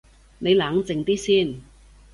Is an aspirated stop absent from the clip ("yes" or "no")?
yes